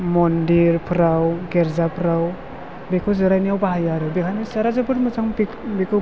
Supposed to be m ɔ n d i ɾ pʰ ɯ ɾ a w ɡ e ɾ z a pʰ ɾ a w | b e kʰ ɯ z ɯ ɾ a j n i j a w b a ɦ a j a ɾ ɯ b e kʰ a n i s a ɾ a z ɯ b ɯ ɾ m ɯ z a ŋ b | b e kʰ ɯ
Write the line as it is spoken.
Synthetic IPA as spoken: m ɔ n d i ɾ pʰ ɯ ɾ a w ɡ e ɾ z a pʰ ɾ a w | b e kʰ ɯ z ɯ ɾ a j n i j a w b a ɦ a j a ɾ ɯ b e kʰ a n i s a ɾ a z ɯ b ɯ ɾ m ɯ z a ŋ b | b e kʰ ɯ